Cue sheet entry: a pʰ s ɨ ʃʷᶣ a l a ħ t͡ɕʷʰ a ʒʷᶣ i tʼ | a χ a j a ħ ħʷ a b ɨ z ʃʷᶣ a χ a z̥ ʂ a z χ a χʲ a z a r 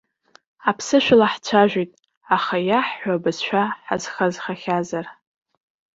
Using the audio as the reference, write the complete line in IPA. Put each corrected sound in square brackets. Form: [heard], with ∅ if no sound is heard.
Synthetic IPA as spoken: a pʰ s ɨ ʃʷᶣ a l a ħ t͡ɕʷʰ a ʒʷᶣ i tʼ | a χ a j a ħ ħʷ a b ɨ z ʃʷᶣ a [ħ] a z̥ [χ] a z χ a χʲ a z a r